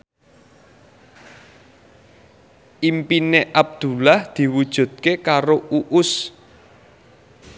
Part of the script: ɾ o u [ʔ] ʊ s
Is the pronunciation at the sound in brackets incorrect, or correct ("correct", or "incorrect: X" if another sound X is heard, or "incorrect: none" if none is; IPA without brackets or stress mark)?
correct